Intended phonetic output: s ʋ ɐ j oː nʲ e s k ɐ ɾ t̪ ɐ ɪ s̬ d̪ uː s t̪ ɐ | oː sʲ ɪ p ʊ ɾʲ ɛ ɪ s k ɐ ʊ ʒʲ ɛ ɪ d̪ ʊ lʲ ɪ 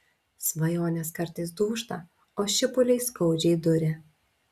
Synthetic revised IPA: s ʋ ɐ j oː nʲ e s k ɐ ɾ t̪ ɐ ɪ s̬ d̪ uː ʃ t̪ ɐ | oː ʃʲ ɪ p ʊ lʲ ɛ ɪ s k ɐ ʊ d͡ʒʲ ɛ ɪ d̪ ʊ ɾʲ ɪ